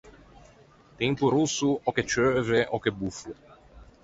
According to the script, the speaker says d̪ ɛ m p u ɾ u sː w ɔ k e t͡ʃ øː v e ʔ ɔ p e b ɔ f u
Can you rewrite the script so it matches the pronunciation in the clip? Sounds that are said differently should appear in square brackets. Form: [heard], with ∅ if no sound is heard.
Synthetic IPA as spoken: [t̪] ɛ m p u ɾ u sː [u] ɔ k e t͡ʃ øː v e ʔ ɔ [k] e b [u] f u